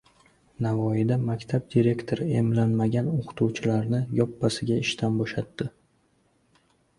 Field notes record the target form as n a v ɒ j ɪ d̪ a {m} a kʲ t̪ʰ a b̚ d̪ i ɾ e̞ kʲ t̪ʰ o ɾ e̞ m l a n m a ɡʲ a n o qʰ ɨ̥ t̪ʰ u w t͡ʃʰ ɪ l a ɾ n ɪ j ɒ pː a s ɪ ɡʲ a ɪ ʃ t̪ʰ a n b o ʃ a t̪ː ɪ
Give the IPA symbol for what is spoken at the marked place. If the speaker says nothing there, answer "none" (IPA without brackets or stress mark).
m